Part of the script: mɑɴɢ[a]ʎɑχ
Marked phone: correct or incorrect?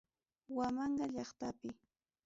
incorrect